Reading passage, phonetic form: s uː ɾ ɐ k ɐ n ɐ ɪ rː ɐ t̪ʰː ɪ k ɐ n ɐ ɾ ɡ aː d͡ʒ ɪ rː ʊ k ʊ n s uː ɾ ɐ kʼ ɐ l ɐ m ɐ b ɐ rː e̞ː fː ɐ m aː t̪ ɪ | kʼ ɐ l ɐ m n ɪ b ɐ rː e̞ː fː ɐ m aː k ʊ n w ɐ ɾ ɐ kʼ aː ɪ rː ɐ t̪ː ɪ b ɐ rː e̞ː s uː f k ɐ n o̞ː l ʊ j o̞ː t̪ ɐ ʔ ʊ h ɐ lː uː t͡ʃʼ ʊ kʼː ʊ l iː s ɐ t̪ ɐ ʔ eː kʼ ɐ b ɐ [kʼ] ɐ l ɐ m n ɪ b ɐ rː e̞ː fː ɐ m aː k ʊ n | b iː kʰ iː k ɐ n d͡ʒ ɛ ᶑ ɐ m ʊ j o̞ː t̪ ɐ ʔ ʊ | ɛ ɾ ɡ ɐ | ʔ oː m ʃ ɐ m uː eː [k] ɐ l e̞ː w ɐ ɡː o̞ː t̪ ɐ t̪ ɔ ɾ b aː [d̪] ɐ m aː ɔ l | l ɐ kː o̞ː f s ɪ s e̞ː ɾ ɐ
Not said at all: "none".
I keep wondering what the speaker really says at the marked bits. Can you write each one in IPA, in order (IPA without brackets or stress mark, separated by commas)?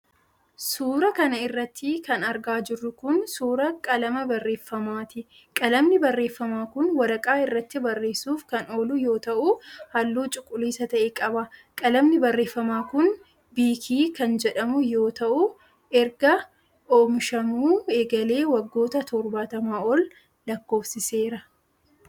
kʼ, ɡ, t̪